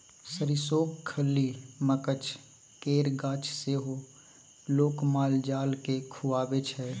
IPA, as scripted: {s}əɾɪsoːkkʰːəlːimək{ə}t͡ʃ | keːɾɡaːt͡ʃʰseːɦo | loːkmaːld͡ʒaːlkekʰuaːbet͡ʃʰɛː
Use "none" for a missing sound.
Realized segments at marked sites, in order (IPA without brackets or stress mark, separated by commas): s, ə